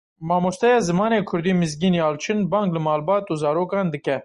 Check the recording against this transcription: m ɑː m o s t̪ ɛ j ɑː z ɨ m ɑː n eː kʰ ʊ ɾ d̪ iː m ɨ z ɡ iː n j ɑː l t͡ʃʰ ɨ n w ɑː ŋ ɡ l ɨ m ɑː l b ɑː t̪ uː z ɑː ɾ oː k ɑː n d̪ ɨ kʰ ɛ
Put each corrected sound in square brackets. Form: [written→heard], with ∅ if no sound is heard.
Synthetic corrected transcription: m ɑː m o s t̪ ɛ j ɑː z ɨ m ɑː n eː kʰ ʊ ɾ d̪ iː m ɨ z ɡ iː n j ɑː l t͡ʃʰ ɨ n [w→b] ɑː ŋ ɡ l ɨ m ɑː l b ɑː t̪ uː z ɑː ɾ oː k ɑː n d̪ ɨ [kʰ→k] ɛ